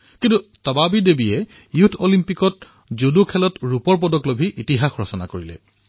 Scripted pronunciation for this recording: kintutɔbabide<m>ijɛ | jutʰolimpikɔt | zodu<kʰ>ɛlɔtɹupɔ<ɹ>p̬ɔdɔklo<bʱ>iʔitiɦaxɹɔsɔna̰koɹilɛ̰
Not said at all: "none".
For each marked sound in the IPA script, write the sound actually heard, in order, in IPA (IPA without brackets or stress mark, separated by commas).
b, kʰ, ɹ, bʱ